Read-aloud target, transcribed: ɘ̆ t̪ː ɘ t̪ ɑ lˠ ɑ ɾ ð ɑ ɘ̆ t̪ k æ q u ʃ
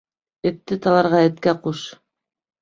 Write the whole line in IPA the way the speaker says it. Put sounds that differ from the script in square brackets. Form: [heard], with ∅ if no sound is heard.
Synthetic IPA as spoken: ɘ̆ t̪ː ɘ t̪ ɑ lˠ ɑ ɾ [ʁ] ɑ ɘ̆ t̪ k æ q u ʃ